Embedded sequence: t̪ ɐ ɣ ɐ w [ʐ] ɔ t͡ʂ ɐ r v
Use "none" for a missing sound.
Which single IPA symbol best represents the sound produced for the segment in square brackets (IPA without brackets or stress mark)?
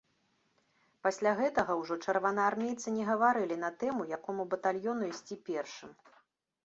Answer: ʐ